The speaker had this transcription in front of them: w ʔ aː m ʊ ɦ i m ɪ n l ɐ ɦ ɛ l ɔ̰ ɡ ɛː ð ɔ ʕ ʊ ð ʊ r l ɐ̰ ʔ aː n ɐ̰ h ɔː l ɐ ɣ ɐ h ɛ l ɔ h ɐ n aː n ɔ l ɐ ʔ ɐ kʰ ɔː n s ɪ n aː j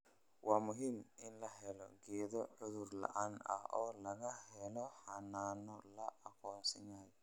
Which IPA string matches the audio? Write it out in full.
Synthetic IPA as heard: w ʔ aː m ʊ ɦ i m ɪ n l ɐ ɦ ɛ l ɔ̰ ɡ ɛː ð ɔ ʕ ʊ ð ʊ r l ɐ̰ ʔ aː n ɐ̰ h ɔː l ɐ ɣ ɐ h ɛ l ɔ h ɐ n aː n ɔ l ɐ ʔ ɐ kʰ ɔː n s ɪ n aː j

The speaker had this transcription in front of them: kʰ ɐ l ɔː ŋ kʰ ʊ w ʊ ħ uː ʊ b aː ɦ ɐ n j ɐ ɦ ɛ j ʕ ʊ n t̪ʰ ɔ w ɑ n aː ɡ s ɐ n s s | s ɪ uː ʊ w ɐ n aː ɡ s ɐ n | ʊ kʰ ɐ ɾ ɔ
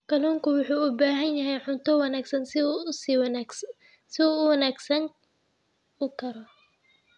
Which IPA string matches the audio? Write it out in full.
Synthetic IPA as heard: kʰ ɐ l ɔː ŋ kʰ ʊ w ʊ ħ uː ʊ b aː ɦ ɐ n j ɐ ɦ ɛ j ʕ ʊ n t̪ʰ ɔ w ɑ n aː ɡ s ɐ n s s | s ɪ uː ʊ w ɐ n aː ɡ s ɐ n | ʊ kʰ ɐ ɾ ɔ

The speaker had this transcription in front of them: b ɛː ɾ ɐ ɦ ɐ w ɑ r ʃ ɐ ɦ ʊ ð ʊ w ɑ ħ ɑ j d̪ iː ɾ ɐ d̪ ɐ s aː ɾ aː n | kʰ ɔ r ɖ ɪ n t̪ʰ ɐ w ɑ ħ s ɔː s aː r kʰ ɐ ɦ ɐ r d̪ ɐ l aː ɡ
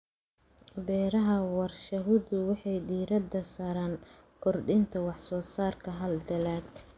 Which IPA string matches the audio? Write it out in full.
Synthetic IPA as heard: b ɛː ɾ ɐ ɦ ɐ w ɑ r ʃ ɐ ɦ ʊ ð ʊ w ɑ ħ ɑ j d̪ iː ɾ ɐ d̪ ɐ s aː ɾ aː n | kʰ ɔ r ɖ ɪ n t̪ʰ ɐ w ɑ ħ s ɔː s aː r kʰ ɐ ɦ ɐ l d̪ ɐ l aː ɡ

